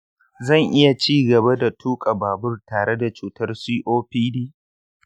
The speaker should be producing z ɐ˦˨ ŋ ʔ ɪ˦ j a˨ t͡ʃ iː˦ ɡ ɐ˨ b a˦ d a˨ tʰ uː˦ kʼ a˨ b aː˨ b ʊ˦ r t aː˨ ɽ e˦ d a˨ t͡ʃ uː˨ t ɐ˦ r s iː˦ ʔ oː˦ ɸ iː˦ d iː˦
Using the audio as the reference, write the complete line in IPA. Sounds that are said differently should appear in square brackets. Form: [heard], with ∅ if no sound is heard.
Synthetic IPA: z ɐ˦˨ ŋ ʔ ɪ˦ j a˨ t͡ʃ iː˦ ɡ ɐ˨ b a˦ d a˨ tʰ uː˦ kʼ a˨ b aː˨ b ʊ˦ r t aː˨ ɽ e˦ d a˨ t͡ʃ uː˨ t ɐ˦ r s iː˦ ʔ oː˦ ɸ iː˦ d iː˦